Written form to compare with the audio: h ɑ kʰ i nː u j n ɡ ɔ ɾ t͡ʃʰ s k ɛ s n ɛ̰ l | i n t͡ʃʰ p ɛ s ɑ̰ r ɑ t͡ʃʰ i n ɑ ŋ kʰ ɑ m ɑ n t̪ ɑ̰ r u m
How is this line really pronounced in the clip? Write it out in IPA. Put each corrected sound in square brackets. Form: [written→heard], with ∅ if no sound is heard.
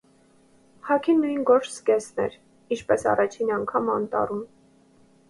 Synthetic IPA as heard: h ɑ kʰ i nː u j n ɡ ɔ ɾ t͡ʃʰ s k ɛ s n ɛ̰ [l→ɾ] | i n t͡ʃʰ p ɛ s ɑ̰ r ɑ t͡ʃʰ i n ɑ ŋ kʰ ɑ m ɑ n t̪ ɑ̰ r u m